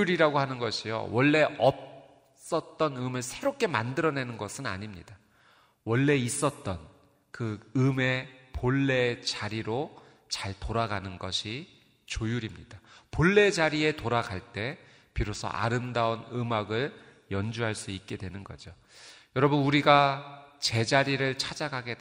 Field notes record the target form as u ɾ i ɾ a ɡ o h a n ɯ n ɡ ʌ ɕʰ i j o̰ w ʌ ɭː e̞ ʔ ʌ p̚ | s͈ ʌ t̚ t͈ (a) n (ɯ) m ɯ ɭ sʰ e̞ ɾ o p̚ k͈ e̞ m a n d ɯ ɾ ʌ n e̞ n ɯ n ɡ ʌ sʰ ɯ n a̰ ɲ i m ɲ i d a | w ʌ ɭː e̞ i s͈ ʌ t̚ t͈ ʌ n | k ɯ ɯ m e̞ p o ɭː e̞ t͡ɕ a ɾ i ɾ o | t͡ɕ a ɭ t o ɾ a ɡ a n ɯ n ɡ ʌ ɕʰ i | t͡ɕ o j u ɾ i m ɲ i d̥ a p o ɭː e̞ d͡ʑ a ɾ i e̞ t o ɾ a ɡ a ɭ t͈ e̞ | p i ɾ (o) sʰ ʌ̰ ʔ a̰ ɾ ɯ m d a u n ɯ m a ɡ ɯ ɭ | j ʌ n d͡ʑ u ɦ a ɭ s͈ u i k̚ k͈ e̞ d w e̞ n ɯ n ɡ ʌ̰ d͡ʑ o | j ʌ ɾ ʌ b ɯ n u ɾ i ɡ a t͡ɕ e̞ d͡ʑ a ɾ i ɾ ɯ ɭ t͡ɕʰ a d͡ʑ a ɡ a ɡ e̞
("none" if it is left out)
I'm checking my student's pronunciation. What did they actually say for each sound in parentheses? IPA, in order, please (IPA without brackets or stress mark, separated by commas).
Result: ʌ, ɯ, o